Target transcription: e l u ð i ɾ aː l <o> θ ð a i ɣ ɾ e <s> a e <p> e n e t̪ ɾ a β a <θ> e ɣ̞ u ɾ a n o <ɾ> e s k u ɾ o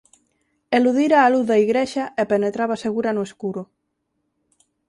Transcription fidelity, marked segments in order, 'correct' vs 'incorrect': incorrect: u, incorrect: ʃ, correct, incorrect: s, incorrect: none

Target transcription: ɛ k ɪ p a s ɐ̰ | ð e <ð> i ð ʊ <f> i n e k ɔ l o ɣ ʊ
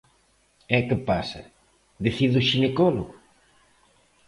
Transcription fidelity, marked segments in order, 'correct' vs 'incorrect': incorrect: θ, incorrect: ʃ

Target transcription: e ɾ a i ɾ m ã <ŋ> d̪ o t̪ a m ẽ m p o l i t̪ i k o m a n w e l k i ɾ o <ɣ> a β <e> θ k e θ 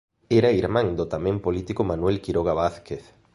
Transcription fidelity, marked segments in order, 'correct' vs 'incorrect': correct, correct, incorrect: a

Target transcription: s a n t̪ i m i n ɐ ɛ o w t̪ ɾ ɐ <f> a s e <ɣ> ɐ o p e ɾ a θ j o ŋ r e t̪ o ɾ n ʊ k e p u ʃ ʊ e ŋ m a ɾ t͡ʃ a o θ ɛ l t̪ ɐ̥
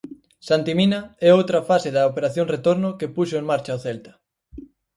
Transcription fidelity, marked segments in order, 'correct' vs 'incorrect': correct, incorrect: ð

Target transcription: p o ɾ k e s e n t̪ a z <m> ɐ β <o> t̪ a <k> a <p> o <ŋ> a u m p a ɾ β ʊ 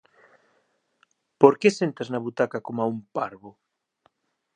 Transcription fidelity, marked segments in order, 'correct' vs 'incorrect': incorrect: n, incorrect: u, correct, incorrect: k, incorrect: m

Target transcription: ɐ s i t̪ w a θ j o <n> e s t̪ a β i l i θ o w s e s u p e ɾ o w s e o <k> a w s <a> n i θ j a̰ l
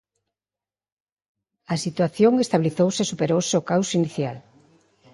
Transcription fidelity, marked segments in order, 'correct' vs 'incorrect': incorrect: ŋ, correct, incorrect: i

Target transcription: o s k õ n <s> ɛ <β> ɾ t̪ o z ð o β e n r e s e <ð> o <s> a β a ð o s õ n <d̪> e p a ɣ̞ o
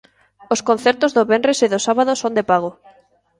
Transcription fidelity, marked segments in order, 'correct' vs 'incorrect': incorrect: θ, incorrect: none, correct, correct, correct

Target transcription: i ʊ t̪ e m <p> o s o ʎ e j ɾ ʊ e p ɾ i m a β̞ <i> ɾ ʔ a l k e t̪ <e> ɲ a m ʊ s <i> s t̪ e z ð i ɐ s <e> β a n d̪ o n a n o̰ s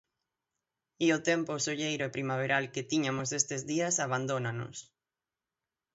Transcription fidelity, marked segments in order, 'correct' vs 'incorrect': correct, incorrect: e, incorrect: i, incorrect: e, incorrect: a

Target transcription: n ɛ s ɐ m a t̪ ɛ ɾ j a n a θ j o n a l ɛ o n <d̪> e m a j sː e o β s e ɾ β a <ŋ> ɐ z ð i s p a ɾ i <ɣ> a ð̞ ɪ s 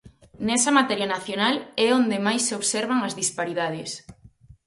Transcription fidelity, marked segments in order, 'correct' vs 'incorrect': correct, correct, incorrect: ð

